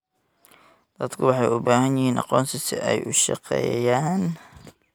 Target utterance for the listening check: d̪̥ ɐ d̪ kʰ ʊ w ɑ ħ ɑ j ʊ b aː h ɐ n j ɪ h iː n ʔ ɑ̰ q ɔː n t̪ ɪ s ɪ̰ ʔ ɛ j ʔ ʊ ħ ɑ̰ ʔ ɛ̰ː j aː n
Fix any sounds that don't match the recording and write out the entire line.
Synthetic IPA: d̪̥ ɐ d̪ kʰ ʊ w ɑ ħ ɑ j ʊ b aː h ɐ n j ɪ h iː n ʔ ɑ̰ q ɔː n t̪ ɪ s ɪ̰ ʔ ɛ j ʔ ʊ ʃ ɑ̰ q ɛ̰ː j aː n